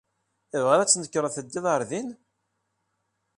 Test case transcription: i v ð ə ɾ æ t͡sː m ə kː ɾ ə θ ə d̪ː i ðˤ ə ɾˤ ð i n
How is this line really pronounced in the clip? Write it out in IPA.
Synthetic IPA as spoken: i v ʁ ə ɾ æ t͡sː n ə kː ɾ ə θ ə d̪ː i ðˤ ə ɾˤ ð i n